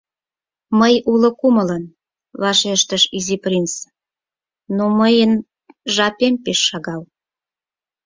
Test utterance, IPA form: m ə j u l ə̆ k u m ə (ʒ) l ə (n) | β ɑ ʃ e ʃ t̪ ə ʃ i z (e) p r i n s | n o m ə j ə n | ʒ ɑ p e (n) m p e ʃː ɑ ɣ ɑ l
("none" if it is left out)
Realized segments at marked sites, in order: none, n, i, none

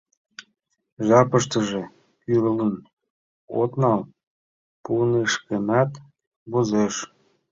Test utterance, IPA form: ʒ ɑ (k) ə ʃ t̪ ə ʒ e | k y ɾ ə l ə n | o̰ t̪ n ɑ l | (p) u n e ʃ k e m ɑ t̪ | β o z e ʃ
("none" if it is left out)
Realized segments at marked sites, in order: p, p

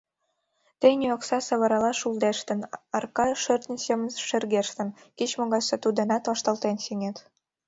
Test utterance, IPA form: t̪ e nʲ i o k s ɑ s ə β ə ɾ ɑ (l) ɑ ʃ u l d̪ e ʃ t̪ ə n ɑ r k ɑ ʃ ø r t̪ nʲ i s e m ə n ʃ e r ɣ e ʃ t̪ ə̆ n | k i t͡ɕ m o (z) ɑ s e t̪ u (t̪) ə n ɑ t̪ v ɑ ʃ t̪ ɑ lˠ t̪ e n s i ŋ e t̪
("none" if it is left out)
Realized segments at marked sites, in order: l, ɣ, d̪

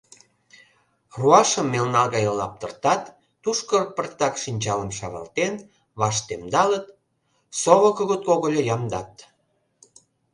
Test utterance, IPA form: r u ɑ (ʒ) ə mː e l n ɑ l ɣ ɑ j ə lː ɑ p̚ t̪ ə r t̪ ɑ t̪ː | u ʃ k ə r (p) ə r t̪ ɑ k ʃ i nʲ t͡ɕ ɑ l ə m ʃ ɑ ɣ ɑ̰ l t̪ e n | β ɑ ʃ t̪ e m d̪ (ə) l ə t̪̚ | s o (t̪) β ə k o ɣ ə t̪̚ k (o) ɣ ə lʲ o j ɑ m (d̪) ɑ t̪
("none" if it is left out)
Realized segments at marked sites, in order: ʃ, p, ɑ, none, o, d̪

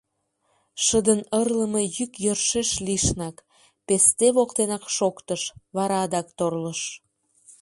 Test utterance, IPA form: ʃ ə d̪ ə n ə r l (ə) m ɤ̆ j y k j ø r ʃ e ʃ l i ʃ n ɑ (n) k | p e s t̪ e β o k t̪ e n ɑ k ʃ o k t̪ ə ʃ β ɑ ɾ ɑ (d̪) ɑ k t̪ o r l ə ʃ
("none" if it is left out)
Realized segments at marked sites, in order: ə, none, d̪

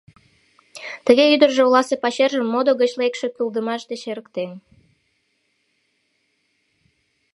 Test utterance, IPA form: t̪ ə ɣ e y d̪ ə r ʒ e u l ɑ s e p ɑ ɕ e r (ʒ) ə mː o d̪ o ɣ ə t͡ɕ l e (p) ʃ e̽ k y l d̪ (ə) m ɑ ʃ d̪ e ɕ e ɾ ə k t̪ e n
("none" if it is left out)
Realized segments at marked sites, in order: ʒ, k, ə

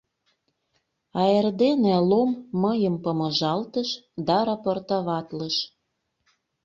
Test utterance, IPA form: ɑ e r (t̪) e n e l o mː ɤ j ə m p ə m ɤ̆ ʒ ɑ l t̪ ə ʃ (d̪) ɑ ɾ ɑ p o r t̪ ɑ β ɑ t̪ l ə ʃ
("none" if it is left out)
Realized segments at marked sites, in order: d̪, d̪

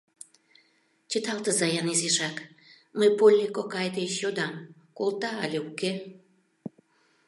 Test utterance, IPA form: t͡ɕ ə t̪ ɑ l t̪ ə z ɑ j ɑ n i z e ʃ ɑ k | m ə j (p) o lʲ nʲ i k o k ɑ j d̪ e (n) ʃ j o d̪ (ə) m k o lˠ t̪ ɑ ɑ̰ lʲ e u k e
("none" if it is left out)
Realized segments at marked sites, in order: p, none, ɑ

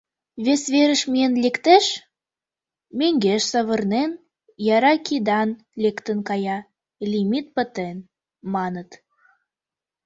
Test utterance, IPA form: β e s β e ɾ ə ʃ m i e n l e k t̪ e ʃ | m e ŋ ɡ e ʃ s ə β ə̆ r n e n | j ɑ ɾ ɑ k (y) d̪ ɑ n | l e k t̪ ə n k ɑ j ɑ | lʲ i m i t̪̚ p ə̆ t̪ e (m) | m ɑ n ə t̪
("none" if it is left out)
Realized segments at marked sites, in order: i, n

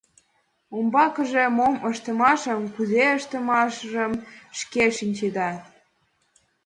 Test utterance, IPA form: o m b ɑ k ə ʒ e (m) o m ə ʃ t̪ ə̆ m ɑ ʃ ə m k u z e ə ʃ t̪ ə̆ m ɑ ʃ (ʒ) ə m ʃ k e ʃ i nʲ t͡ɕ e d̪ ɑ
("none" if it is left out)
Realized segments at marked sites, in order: m, ʒ

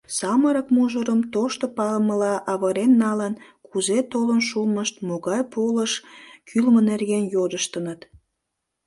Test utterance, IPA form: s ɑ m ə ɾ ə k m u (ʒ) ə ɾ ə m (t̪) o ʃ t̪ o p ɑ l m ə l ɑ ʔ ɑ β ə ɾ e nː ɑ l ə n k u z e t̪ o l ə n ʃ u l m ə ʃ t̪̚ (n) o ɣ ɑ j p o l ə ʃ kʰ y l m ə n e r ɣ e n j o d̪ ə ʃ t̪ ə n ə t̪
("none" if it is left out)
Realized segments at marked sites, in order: ʒ, t̪, m

